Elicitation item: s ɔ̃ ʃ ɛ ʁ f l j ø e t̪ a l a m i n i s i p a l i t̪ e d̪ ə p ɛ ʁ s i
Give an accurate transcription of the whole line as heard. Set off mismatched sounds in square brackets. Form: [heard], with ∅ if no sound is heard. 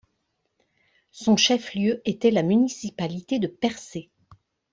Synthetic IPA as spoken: s ɔ̃ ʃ ɛ [∅] f l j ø e t̪ [ɛ] l a m [y] n i s i p a l i t̪ e d̪ ə p ɛ ʁ s [e]